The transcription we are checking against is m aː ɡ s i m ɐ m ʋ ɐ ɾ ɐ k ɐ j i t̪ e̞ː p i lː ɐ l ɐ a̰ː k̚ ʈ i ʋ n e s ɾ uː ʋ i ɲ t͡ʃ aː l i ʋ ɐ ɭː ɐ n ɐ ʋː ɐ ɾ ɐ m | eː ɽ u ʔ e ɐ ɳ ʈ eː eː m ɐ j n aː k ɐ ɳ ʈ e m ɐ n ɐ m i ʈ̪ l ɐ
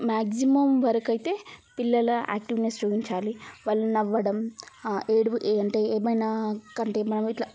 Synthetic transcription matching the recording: m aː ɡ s i m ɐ m ʋ ɐ ɾ ɐ k ɐ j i t̪ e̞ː p i lː ɐ l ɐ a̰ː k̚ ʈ i ʋ n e s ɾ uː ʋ i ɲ t͡ʃ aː l i ʋ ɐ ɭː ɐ n ɐ ʋː ɐ ɽ ɐ m | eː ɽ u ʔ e ɐ ɳ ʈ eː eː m ɐ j n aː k ɐ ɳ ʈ e m ɐ n ɐ m i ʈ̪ l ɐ